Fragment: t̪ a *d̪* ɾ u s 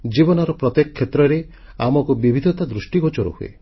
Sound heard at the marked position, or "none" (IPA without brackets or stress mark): d̪